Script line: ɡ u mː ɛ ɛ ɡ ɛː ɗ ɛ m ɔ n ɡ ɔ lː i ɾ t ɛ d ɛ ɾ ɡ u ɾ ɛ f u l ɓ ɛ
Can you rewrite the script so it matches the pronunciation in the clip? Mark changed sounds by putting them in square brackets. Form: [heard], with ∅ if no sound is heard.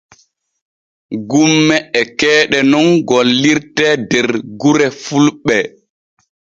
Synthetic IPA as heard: ɡ u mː ɛ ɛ [k] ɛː ɗ ɛ [n] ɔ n ɡ ɔ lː i ɾ t ɛ d ɛ ɾ ɡ u ɾ ɛ f u l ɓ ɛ